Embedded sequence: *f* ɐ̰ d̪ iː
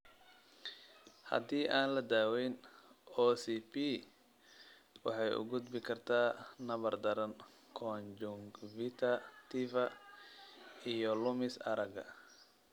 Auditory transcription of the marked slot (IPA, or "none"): h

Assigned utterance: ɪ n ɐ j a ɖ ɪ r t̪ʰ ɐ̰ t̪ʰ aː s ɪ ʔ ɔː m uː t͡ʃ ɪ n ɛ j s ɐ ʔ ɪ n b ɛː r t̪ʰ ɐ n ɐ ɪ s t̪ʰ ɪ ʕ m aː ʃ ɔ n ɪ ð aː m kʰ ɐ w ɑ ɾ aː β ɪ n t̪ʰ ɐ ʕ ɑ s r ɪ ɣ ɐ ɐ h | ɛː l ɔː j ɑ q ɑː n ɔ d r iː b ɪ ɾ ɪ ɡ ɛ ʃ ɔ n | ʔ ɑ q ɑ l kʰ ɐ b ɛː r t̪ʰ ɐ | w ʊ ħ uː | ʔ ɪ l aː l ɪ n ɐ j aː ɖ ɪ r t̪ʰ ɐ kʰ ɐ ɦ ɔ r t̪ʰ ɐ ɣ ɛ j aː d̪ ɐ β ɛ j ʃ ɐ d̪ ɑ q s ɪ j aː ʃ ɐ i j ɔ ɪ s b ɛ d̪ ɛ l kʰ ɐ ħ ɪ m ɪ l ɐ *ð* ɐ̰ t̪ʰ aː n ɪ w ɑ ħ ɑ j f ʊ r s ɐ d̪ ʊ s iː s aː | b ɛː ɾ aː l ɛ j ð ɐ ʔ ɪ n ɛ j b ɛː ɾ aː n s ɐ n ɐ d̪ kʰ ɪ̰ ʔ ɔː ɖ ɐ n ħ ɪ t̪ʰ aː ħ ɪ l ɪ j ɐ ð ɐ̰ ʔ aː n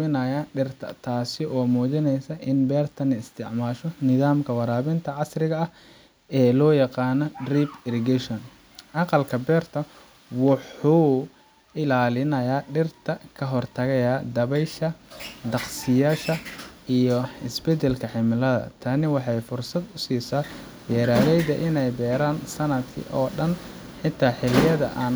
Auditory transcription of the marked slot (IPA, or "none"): ð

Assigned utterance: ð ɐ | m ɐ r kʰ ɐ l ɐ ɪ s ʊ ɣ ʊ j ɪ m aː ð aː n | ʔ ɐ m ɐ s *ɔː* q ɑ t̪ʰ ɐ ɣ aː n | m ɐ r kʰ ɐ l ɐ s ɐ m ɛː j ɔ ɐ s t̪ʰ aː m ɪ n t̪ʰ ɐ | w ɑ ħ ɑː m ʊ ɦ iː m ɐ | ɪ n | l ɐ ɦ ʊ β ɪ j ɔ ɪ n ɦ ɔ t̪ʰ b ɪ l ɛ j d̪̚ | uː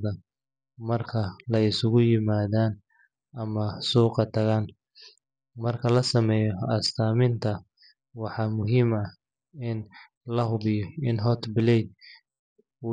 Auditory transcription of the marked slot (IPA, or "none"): uː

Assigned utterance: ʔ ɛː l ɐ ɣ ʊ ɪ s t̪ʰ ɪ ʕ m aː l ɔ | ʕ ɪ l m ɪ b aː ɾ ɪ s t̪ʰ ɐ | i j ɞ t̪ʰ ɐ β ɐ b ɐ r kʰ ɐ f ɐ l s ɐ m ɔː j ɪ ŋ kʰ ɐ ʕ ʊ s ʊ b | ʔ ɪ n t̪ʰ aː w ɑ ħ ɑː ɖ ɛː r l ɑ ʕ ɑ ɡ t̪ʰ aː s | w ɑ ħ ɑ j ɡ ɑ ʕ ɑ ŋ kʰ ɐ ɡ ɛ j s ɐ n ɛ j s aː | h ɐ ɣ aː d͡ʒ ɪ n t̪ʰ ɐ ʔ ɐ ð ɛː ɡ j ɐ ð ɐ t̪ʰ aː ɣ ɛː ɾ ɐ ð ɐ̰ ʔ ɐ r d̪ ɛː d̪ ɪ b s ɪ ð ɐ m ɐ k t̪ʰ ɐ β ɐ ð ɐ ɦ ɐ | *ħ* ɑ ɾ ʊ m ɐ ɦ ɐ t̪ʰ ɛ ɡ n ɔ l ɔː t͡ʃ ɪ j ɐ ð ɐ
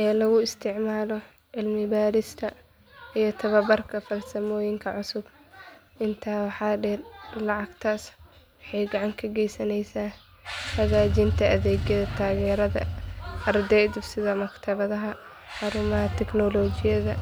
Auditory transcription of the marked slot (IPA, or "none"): ħ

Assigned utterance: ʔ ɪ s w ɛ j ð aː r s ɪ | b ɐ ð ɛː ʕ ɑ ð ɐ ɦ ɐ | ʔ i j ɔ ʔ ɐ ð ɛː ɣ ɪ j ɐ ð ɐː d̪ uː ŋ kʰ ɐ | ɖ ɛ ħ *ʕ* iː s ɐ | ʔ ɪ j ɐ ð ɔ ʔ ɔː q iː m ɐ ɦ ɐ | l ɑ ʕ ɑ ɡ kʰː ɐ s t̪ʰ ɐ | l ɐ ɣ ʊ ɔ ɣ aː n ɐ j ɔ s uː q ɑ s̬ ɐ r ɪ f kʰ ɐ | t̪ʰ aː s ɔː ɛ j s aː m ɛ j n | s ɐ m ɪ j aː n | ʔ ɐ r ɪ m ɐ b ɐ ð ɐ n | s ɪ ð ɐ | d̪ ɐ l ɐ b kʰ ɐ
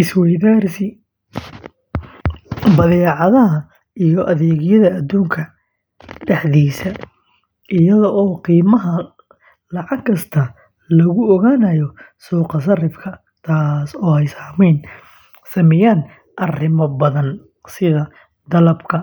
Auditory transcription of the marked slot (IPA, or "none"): ð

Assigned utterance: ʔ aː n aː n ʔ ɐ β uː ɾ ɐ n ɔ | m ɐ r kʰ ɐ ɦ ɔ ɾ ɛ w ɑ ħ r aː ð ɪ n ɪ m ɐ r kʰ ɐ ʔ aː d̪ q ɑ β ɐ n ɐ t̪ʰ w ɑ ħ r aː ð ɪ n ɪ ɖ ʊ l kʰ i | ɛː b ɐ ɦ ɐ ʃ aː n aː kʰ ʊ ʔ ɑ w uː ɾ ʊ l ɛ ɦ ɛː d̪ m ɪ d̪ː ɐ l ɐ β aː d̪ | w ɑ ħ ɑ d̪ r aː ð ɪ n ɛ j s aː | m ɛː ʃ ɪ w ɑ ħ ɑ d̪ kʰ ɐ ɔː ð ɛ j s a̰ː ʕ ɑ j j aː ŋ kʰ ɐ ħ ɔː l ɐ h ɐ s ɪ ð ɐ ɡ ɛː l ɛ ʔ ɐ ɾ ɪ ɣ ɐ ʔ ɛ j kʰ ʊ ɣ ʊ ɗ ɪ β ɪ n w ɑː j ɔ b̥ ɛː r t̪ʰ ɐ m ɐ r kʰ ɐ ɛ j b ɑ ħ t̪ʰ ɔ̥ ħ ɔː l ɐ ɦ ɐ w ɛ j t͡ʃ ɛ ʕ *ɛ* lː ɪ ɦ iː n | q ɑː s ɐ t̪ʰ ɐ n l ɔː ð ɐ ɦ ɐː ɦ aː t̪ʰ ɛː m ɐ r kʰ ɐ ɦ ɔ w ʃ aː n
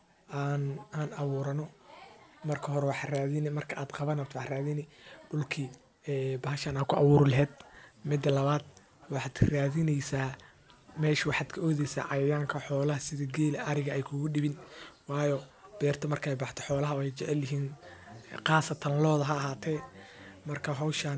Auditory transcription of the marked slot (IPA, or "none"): ɛ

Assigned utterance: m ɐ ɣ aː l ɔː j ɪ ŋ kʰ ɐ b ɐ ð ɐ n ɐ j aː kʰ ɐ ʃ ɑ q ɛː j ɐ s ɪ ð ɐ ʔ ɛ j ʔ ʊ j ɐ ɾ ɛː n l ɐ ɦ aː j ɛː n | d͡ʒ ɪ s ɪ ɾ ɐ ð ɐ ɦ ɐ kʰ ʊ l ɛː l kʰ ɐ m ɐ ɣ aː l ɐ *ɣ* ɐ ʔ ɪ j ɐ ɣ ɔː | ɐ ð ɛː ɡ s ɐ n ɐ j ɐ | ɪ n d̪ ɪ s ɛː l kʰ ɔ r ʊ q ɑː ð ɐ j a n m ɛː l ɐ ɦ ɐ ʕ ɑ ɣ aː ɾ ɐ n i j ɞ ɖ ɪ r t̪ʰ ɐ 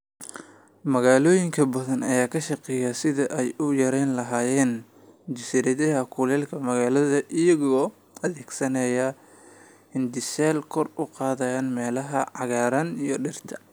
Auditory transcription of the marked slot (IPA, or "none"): ð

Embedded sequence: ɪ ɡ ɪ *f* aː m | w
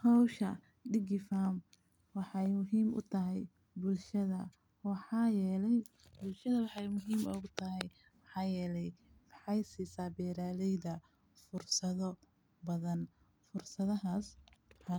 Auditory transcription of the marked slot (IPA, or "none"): f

